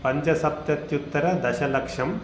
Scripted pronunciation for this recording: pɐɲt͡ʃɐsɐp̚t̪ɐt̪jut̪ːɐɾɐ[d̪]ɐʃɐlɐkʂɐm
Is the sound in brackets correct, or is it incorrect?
correct